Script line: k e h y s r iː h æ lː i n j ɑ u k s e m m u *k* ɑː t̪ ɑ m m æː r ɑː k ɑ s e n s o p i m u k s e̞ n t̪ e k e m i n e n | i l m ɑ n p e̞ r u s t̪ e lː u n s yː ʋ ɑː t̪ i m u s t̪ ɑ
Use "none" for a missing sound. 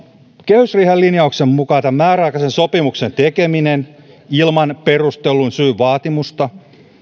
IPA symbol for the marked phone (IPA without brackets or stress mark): k